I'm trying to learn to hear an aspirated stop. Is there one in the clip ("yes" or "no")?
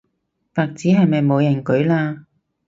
no